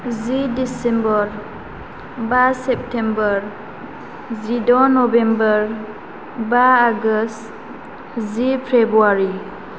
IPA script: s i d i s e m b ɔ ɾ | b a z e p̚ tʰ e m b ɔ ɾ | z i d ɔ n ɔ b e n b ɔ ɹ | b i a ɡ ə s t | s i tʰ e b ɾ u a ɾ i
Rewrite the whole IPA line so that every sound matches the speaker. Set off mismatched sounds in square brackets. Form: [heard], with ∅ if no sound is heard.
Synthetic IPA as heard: [z] i d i s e m b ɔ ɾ | b a [s] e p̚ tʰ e m b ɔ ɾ | z i d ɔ n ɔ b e [m] b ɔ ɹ | b [a] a ɡ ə s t | [z] i [pʰ] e b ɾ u a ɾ i